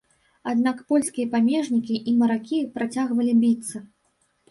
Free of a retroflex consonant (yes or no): no